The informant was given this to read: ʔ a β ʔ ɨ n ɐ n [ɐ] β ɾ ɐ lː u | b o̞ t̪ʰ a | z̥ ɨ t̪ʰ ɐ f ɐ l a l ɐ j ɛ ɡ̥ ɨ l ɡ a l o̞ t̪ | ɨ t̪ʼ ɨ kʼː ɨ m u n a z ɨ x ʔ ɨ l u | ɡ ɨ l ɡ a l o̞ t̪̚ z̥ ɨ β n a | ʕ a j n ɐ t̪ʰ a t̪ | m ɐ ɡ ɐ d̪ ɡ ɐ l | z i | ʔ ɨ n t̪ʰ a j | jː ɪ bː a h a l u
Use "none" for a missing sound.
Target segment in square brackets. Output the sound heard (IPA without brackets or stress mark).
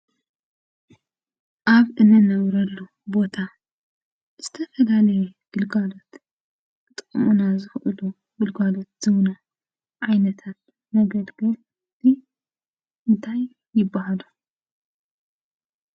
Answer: ɐ